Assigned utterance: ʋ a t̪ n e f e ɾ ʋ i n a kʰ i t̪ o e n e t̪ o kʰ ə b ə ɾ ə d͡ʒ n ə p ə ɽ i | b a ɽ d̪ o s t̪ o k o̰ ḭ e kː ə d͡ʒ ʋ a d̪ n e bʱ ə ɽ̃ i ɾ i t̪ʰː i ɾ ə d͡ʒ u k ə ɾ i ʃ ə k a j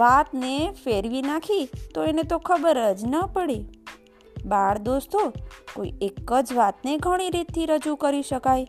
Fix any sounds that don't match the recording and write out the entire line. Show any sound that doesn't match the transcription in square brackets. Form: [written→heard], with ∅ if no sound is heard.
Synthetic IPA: ʋ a t̪ n e f e ɾ ʋ i n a kʰ i t̪ o e n e t̪ o kʰ ə b ə ɾ ə d͡ʒ n ə p ə ɽ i | b a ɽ d̪ o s t̪ o k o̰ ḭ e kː ə d͡ʒ ʋ a [d̪→t̪] n e [bʱ→ɡʱ] ə ɽ̃ i ɾ i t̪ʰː i ɾ ə d͡ʒ u k ə ɾ i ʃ ə k a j